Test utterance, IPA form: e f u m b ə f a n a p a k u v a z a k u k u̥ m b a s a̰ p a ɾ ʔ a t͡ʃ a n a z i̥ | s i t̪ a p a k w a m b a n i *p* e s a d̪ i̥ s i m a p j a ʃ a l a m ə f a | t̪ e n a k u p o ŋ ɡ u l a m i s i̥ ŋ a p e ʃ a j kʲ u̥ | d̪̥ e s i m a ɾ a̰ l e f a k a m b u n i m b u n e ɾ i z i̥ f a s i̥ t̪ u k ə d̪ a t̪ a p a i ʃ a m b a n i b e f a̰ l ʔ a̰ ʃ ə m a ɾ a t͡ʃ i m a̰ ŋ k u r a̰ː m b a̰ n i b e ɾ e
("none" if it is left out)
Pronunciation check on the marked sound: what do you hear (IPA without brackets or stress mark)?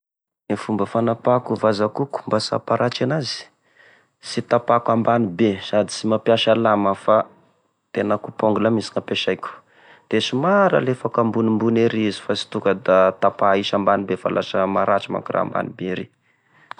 b